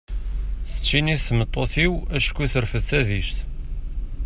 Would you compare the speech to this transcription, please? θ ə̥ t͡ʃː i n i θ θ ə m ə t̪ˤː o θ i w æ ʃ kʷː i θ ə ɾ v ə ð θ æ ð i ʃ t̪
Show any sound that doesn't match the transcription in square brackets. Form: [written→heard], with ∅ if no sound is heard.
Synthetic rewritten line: θ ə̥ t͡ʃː i n i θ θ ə m ə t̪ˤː o θ i w æ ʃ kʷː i θ ə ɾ [v→f] ə ð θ æ ð i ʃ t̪